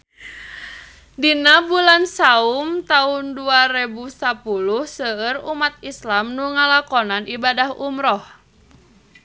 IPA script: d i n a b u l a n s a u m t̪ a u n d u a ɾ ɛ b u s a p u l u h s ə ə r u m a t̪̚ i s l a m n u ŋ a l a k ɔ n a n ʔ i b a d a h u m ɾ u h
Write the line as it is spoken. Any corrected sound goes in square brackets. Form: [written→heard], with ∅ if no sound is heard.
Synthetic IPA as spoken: d i n a b u l a n s a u m t̪ a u n d u a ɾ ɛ b u s a p u l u h s ə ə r u m a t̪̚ i s l a m n u ŋ a l a k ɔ n a n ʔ i b a d a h u m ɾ [u→ɔ] h